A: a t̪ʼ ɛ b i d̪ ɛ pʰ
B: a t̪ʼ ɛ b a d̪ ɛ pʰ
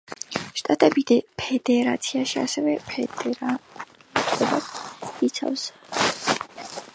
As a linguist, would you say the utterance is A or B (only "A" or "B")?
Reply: A